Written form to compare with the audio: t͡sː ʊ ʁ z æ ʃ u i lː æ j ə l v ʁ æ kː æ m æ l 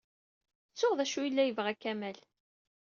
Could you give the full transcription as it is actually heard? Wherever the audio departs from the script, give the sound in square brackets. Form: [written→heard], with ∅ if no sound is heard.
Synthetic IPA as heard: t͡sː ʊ ʁ [z→ð] æ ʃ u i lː æ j ə [l→∅] v ʁ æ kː æ m æ l